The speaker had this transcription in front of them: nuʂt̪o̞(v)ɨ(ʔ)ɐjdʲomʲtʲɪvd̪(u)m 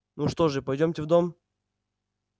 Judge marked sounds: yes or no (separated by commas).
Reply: no, no, no